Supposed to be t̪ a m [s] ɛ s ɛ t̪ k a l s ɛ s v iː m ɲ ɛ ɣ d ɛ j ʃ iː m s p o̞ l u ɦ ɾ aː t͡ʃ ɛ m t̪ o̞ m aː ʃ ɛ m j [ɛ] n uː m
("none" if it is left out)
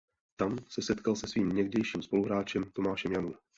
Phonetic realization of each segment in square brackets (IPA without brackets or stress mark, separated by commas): s, a